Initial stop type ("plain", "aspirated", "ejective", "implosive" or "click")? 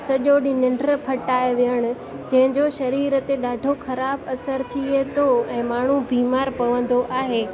implosive